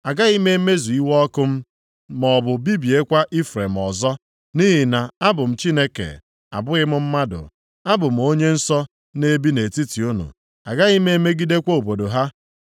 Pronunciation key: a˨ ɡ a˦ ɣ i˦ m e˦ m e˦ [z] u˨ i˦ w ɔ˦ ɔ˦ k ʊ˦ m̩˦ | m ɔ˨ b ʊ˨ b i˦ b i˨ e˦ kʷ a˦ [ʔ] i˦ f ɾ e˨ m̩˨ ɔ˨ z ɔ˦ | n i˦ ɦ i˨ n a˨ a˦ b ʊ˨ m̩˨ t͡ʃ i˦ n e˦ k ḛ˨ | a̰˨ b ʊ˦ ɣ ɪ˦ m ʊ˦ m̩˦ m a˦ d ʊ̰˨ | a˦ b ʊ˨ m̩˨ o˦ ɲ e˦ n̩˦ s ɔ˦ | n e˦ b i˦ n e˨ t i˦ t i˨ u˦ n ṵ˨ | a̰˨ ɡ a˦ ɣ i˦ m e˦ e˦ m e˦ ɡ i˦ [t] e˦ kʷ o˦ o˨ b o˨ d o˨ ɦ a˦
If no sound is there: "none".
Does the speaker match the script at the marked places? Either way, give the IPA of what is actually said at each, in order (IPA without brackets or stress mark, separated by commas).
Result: z, ʔ, d